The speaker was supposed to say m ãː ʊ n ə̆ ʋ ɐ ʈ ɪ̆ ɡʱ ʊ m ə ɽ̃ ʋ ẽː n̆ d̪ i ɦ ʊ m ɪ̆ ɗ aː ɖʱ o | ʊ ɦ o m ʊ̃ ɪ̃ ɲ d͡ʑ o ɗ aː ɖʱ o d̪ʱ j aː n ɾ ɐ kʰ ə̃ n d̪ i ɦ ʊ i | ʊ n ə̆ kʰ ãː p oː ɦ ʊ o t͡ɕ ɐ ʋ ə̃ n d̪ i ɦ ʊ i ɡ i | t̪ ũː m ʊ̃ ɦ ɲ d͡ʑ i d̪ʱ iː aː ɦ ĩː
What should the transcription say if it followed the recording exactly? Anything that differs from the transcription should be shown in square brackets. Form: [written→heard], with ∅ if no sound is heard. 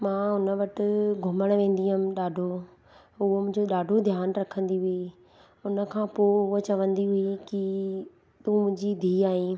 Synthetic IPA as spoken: m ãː ʊ n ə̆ ʋ ɐ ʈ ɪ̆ ɡʱ ʊ m ə ɽ̃ ʋ ẽː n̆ d̪ i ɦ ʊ m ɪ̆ ɗ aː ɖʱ o | ʊ ɦ o m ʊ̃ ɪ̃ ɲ d͡ʑ o ɗ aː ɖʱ o d̪ʱ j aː n ɾ ɐ kʰ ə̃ n d̪ i ɦ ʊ i | ʊ n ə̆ kʰ ãː p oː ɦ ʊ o t͡ɕ ɐ ʋ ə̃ n d̪ i ɦ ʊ i [ɡ→k] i | t̪ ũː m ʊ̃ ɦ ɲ d͡ʑ i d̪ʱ iː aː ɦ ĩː